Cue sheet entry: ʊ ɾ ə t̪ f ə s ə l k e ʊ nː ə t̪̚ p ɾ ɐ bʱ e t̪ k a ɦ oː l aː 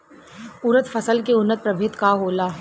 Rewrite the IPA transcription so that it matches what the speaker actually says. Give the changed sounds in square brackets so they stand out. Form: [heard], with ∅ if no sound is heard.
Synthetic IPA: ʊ ɾ ə t̪ f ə s ə l k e ʊ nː ə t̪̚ p ɾ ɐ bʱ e t̪ k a ɦ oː l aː